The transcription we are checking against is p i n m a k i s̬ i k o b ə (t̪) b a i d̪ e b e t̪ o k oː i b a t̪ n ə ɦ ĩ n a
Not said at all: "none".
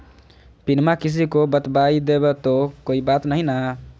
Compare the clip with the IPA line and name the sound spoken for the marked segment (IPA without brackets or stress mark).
t̪